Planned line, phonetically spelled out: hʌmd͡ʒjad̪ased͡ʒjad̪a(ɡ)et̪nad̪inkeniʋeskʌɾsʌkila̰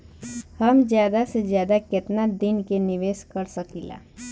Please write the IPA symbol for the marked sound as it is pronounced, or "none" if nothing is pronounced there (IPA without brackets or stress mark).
k